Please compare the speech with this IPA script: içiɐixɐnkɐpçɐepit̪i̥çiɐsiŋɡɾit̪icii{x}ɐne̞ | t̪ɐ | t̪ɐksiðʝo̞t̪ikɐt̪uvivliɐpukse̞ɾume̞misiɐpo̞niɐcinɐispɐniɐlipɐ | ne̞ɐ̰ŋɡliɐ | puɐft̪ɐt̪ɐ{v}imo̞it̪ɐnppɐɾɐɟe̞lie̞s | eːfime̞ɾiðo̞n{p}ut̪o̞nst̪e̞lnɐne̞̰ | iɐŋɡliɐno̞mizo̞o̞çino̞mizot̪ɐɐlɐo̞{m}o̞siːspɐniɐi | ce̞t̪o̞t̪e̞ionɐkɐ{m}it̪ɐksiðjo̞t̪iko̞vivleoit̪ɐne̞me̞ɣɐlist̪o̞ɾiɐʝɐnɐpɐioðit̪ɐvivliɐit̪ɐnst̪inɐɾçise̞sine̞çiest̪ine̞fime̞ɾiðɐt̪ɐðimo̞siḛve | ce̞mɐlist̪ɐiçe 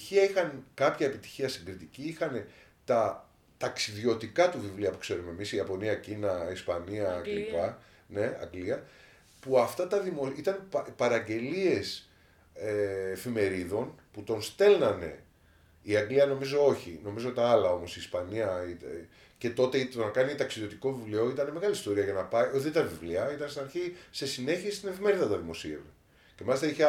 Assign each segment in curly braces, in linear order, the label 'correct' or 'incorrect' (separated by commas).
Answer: correct, incorrect, correct, correct, incorrect